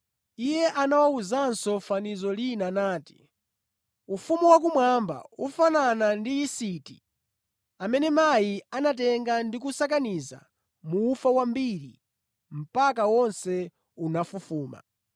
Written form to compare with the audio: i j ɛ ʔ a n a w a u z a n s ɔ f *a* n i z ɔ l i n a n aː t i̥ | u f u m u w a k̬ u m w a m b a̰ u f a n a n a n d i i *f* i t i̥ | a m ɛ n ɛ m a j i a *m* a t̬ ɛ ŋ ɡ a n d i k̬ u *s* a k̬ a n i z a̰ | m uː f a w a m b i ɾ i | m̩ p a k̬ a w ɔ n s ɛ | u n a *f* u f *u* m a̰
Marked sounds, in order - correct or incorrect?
correct, incorrect: s, incorrect: n, correct, correct, incorrect: uː

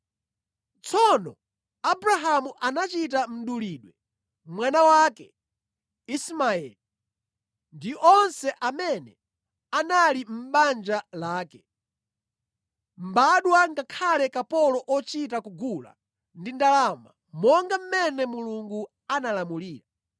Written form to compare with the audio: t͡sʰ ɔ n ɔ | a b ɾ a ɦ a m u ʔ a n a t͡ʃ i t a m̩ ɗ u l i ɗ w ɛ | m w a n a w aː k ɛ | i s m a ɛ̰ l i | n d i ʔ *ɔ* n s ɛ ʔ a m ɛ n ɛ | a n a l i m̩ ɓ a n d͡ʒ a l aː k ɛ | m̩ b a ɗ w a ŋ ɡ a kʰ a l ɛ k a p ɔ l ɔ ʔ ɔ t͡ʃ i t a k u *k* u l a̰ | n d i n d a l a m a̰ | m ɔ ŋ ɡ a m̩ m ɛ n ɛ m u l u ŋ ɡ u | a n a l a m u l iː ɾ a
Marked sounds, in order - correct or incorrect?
correct, incorrect: ɡ

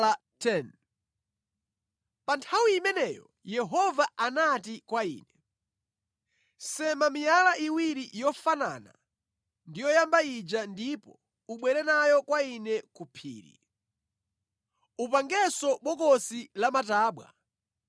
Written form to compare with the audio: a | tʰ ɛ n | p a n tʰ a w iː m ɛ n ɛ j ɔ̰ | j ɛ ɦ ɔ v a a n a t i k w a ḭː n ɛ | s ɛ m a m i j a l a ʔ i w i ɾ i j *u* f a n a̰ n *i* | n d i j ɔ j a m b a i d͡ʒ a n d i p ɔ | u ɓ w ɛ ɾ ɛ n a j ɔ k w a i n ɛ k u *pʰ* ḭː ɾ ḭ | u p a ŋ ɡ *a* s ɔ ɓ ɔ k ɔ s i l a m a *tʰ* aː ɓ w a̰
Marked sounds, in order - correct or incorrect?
incorrect: ɔ, incorrect: a, correct, incorrect: ɛ, incorrect: t

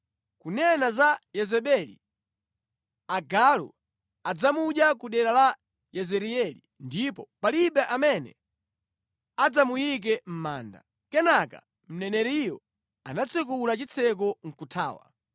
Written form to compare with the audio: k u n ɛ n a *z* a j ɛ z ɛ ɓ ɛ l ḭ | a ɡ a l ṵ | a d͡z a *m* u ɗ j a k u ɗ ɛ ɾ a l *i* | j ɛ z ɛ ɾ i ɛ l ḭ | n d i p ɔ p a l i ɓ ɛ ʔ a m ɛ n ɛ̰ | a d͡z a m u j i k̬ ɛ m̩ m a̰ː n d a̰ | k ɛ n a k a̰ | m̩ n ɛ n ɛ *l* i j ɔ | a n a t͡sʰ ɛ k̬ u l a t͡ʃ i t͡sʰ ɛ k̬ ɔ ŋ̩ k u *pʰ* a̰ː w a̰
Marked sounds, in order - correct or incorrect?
correct, correct, incorrect: a, incorrect: ɾ, incorrect: tʰ

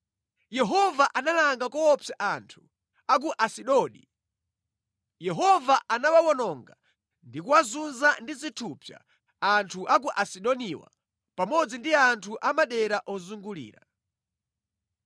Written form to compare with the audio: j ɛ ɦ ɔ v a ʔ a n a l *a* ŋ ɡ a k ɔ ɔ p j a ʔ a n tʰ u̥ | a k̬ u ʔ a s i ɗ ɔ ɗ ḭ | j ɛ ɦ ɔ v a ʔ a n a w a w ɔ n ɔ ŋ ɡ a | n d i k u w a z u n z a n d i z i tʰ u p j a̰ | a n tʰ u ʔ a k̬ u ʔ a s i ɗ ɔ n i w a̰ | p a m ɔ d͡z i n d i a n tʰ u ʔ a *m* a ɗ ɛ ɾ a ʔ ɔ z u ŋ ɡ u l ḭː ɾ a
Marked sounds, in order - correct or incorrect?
correct, correct

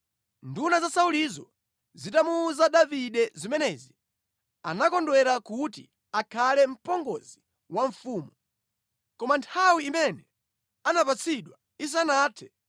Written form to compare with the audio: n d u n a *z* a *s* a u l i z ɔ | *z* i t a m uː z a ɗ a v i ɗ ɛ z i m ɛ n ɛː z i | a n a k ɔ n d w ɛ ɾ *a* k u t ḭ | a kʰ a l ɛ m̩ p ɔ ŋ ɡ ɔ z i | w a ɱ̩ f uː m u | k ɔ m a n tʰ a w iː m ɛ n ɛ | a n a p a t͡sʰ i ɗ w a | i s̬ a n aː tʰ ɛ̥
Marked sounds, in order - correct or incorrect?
correct, correct, correct, correct

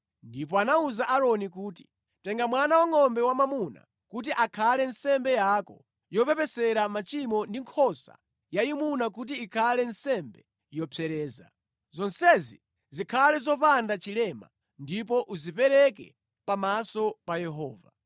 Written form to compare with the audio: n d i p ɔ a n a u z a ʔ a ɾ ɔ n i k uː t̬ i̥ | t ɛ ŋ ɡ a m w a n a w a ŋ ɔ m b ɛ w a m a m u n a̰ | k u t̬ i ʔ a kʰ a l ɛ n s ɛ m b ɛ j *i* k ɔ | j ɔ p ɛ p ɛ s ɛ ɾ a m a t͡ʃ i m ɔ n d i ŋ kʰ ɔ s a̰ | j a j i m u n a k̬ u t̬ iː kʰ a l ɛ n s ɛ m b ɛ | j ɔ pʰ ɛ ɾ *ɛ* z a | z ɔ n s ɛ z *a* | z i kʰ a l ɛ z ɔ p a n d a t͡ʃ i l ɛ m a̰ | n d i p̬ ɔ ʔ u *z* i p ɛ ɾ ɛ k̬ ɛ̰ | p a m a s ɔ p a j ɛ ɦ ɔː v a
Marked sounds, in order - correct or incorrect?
incorrect: a, incorrect: ɛː, incorrect: i, correct

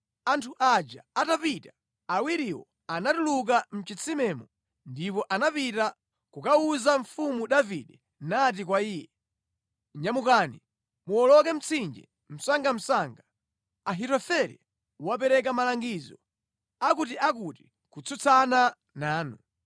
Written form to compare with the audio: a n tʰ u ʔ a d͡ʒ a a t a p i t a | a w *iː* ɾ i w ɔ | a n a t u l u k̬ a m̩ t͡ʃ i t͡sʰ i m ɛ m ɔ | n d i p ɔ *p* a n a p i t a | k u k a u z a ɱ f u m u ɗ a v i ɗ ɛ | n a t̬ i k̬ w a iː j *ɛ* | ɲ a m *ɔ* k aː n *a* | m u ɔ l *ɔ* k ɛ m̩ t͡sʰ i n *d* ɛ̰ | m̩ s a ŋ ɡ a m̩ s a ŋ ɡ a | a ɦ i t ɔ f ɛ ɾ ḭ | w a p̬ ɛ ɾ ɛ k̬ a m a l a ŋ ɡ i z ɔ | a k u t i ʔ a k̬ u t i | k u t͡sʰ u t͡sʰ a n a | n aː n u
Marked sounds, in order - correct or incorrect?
incorrect: i, incorrect: ʔ, correct, incorrect: u, incorrect: i, correct, incorrect: d͡ʒ

